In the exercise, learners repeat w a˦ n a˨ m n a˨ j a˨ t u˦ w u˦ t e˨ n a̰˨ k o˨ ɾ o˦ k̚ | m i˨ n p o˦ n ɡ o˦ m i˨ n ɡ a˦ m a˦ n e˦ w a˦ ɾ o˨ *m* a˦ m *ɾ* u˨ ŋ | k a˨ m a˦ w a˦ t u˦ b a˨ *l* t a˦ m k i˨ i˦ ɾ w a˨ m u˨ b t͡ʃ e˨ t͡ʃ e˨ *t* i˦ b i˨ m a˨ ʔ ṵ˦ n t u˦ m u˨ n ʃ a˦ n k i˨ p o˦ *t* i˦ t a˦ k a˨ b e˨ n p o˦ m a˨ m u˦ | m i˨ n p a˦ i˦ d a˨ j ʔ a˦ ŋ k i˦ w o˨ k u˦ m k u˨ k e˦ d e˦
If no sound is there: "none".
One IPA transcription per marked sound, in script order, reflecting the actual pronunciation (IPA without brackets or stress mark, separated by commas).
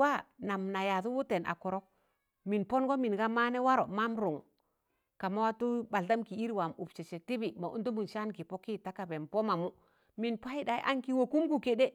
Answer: m, ɾ, l, t, k